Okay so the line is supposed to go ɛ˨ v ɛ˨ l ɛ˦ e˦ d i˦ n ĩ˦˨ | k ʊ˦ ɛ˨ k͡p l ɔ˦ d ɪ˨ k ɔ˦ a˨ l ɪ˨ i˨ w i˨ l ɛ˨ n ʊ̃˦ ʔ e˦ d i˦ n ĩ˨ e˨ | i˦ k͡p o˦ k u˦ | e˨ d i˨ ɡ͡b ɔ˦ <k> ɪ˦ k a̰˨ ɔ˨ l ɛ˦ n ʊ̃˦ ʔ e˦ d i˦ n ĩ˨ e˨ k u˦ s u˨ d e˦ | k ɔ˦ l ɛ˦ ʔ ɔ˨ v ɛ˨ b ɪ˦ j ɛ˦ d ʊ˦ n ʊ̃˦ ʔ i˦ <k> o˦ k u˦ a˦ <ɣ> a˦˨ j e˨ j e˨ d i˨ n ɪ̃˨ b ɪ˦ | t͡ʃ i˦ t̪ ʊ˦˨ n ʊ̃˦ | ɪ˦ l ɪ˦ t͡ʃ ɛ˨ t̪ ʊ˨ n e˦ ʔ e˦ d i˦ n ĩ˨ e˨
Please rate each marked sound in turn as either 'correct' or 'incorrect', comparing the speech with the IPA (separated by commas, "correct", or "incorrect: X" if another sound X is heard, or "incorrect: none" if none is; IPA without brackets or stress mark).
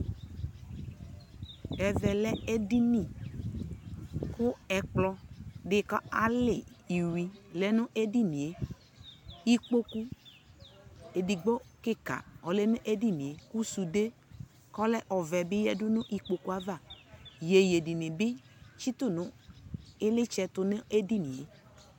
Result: correct, incorrect: k͡p, incorrect: v